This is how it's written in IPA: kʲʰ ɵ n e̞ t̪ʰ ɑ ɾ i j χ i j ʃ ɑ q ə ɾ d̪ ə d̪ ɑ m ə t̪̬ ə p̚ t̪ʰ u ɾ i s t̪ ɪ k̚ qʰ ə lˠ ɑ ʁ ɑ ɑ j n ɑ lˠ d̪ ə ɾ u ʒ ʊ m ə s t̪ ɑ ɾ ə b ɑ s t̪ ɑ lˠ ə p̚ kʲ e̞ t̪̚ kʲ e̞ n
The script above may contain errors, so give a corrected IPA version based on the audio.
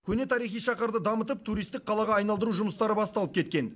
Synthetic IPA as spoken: kʲʰ ɵ n e̞ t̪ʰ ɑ ɾ i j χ i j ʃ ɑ q ə ɾ d̪ ə d̪ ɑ m ə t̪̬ ə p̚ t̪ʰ u ɾ i s t̪ ɪ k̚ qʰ ɑ lˠ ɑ ʁ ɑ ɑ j n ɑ lˠ d̪ ə ɾ u ʒ ʊ m ə s t̪ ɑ ɾ ə b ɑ s t̪ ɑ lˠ ə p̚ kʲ e̞ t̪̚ kʲ e̞ n